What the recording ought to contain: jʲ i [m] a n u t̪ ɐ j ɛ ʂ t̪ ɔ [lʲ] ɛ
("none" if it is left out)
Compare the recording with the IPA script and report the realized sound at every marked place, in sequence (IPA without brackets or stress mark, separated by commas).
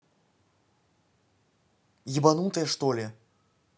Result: b, lʲ